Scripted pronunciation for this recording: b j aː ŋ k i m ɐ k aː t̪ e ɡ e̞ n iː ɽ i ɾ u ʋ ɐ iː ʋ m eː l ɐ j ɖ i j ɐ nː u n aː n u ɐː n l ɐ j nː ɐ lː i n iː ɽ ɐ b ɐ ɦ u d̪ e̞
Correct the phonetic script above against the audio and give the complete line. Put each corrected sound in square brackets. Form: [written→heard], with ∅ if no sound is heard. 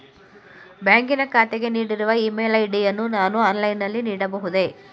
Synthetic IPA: b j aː ŋ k i [m→n] ɐ k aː t̪ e ɡ e̞ n iː ɽ i ɾ u ʋ ɐ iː [ʋ→∅] m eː l ɐ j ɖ i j ɐ nː u n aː n u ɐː n l ɐ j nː ɐ lː i n iː ɽ ɐ b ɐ ɦ u d̪ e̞